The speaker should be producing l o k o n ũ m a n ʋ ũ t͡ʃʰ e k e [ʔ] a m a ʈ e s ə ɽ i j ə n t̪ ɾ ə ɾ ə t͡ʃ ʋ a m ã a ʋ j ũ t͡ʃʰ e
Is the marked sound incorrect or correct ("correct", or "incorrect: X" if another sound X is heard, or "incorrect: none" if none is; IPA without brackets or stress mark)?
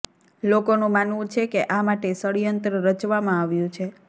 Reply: correct